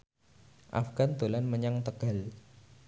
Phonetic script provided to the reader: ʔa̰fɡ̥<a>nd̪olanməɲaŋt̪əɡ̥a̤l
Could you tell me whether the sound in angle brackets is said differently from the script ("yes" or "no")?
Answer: no